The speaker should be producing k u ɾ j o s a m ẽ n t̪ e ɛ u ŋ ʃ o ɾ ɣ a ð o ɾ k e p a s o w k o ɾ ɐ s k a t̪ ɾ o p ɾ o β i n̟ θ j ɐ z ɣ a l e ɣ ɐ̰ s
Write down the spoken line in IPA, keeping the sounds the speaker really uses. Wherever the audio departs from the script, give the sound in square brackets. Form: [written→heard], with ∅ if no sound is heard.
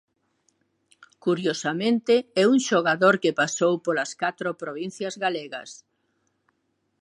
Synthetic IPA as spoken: k u ɾ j o s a m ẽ n t̪ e ɛ u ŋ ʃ o [ɾ→∅] ɣ a ð o ɾ k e p a s o w [k→p] o [ɾ→l] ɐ s k a t̪ ɾ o p ɾ o β i n̟ θ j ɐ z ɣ a l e ɣ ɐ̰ s